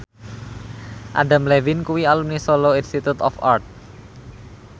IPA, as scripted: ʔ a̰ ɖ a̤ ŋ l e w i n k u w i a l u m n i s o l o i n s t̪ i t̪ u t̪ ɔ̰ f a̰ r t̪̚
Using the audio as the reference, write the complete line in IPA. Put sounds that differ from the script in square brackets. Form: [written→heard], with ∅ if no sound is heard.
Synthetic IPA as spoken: ʔ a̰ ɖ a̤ [ŋ→m] l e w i n k u w i a l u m n i s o l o i n s t̪ i t̪ u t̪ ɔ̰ f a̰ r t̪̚

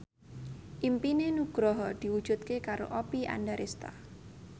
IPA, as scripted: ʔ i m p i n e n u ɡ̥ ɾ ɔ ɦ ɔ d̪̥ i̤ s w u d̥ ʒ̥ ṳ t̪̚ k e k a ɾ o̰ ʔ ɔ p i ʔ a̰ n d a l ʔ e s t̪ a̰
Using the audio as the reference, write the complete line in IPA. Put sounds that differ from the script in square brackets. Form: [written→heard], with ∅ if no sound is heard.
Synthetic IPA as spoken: ʔ i m p i n e n u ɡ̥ ɾ ɔ ɦ ɔ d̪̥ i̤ [s→∅] w u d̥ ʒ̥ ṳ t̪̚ k e k a ɾ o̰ ʔ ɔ p i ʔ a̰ n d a [l→ɾ] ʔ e s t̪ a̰

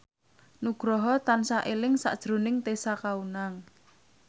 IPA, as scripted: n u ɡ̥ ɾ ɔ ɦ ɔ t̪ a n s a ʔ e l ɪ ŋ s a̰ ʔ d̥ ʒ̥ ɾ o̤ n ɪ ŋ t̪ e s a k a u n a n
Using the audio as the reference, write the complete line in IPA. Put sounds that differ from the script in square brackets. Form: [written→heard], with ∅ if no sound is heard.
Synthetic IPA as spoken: n u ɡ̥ ɾ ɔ ɦ ɔ t̪ a n s a ʔ e l ɪ ŋ s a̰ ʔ d̥ ʒ̥ ɾ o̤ n ɪ ŋ t̪ e s a k a u n a [n→ŋ]

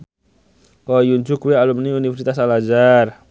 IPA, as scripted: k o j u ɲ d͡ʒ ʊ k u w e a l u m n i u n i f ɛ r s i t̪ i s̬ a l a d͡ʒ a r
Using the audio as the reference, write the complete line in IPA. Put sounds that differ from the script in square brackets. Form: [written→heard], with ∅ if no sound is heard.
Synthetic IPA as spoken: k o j u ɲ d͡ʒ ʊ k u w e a l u m n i u n i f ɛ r s i t̪ [i→a] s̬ a l a d͡ʒ a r

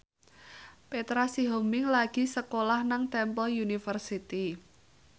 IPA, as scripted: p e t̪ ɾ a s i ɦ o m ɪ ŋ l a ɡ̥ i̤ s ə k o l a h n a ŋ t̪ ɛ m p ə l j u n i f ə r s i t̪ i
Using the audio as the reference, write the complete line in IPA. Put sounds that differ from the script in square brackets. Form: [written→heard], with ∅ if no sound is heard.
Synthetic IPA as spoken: p e t̪ ɾ a s i ɦ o m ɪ ŋ l a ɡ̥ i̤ s ə k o l a h n a ŋ t̪ ɛ m p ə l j u n i f ə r s i t̪ i

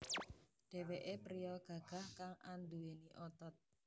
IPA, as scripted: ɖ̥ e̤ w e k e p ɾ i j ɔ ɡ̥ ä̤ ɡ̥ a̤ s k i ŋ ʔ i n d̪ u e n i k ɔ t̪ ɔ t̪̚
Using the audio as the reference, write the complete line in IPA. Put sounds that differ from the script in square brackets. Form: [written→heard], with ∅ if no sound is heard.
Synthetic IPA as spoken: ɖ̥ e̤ w e [k→ʔ] e p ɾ i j ɔ ɡ̥ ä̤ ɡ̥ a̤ [s→h] k [i→a] ŋ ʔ [i→a] n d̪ u e n i [k→ʔ] ɔ t̪ ɔ t̪̚

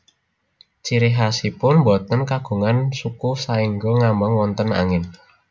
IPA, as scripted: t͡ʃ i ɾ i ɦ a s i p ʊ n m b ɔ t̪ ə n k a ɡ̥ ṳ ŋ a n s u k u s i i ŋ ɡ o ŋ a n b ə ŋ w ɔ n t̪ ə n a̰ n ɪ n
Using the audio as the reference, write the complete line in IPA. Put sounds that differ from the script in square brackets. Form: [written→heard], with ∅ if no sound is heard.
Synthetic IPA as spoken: t͡ʃ i ɾ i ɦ a s i p ʊ n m b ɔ t̪ ə n k a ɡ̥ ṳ ŋ a n s u k u s [i→a] i ŋ ɡ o ŋ a [n→m] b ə ŋ w ɔ n t̪ ə n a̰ [n→ŋ] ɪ n

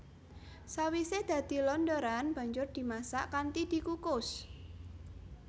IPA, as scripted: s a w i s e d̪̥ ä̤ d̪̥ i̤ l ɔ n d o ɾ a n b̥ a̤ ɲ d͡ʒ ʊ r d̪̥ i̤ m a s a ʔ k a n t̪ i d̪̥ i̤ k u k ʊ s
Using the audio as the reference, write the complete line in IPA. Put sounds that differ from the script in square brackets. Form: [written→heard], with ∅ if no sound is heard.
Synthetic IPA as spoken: s a w i s e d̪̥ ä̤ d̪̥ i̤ l ɔ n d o ɾ a n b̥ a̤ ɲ d͡ʒ ʊ r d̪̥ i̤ m a s a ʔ k a n t̪ i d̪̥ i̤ k u k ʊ s

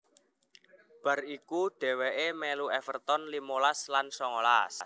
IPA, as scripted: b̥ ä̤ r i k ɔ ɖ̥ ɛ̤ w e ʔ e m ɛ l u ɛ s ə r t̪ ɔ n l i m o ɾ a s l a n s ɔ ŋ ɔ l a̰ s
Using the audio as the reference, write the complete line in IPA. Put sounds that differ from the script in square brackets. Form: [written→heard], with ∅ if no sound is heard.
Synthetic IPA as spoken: b̥ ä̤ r i k [ɔ→u] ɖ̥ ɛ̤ w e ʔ e m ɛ l u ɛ [s→f] ə r t̪ ɔ n l i m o [ɾ→l] a s l a n s ɔ ŋ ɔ l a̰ s

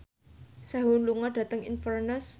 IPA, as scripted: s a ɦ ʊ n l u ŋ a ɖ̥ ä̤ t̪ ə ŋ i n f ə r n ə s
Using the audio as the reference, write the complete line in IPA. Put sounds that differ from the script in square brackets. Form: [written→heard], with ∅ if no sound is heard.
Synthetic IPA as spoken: s a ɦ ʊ n l u ŋ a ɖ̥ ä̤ t̪ ə ŋ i n f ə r n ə s

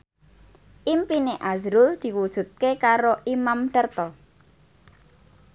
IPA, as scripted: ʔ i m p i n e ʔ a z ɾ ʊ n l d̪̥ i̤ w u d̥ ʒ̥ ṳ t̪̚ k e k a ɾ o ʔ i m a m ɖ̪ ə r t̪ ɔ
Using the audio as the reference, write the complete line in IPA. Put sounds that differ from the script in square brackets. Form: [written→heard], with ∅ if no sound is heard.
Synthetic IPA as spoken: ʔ i m p i n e ʔ a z ɾ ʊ [n→∅] l d̪̥ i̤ w u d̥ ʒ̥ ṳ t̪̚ k e k a ɾ o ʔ i m a m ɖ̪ ə r t̪ ɔ

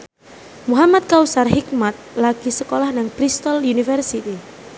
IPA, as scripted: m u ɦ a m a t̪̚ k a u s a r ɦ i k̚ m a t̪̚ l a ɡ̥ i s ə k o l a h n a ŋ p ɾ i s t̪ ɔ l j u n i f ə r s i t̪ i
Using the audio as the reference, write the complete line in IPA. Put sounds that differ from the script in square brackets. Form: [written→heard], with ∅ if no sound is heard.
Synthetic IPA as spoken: m u ɦ a m a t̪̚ k a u s a r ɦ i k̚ m a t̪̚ l a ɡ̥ i s ə k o l a h n a ŋ p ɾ i s t̪ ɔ l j u n i f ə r s i t̪ i

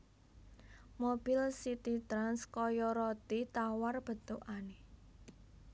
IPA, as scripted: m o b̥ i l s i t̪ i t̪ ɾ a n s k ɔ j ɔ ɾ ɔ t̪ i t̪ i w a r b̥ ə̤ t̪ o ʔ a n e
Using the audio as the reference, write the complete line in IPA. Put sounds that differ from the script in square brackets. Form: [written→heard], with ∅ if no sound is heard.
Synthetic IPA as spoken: m o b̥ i l s i t̪ i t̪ ɾ a n s k ɔ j ɔ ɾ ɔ t̪ i t̪ [i→a] w a r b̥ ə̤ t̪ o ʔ a n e

